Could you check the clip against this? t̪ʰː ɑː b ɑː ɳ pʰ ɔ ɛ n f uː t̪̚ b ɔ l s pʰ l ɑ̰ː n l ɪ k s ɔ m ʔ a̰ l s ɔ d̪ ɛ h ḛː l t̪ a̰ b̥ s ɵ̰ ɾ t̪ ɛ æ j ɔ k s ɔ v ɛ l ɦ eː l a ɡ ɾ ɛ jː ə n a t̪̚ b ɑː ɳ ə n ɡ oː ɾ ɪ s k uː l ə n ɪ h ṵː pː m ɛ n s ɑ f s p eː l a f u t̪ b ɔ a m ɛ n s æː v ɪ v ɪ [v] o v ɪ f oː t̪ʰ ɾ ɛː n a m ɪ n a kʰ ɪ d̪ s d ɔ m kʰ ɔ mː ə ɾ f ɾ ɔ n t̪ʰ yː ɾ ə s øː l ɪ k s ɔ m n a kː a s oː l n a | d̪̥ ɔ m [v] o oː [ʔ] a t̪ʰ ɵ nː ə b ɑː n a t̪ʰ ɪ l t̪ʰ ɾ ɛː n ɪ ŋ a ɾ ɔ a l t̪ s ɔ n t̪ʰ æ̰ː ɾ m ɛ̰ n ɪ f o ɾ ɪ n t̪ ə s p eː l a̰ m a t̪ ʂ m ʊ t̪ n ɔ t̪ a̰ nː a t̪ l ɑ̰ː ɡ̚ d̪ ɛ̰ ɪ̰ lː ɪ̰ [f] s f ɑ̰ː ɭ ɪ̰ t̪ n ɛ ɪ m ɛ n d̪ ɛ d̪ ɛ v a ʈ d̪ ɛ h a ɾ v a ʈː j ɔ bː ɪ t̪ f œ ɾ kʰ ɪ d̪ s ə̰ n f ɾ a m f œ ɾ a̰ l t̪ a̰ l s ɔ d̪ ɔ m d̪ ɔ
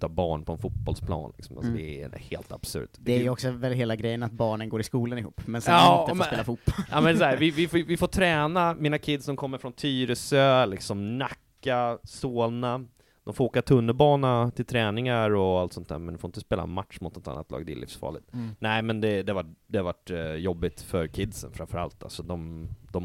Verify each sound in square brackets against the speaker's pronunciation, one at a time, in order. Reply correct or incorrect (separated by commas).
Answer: incorrect, incorrect, incorrect, correct